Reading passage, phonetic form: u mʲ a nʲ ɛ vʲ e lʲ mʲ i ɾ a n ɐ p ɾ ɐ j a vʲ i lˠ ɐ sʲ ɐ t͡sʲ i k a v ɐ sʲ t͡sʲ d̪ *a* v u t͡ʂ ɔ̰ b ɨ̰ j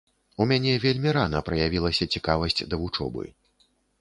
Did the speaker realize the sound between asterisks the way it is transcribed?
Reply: no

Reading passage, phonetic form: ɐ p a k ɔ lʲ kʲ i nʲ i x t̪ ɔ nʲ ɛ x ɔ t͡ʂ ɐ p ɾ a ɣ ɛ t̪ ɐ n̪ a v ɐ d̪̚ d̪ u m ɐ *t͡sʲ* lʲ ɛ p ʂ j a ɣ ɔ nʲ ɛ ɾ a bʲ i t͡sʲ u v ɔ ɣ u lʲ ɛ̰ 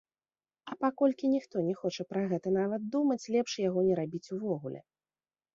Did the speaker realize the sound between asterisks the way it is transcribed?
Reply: yes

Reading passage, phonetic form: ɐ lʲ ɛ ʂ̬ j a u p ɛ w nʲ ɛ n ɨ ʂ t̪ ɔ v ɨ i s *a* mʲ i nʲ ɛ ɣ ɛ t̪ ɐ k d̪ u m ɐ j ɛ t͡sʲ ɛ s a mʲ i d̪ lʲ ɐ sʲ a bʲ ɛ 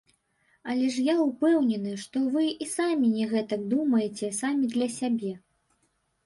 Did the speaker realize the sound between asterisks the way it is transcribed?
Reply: yes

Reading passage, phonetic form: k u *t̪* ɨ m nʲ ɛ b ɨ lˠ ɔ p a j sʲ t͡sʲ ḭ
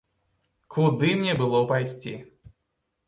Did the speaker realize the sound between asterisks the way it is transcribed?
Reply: no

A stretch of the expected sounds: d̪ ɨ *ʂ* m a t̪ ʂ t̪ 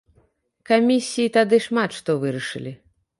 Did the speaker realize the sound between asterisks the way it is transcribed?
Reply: yes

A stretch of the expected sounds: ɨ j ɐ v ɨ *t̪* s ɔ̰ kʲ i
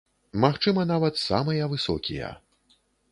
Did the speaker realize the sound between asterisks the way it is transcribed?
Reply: no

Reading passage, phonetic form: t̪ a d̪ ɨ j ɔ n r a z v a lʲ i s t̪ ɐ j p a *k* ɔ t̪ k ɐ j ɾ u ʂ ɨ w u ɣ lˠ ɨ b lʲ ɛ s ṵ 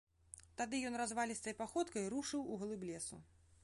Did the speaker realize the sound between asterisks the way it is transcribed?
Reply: no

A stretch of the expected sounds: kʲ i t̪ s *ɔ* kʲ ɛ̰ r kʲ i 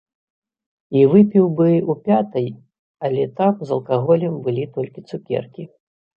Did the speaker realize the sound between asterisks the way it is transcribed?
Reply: no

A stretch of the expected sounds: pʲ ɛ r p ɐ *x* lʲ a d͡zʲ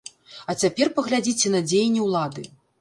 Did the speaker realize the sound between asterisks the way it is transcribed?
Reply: no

